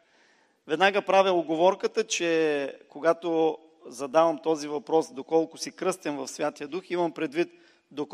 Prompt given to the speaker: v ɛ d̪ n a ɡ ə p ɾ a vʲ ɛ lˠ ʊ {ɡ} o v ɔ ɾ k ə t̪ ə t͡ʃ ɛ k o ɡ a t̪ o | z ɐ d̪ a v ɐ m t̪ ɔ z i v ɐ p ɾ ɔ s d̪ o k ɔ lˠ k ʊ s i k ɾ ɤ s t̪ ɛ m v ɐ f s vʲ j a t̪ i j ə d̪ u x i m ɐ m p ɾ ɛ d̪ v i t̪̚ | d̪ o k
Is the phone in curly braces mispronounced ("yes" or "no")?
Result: no